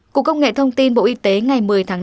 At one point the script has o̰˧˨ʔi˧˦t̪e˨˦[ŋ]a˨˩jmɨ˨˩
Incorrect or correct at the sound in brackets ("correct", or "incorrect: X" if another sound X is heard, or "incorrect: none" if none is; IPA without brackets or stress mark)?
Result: correct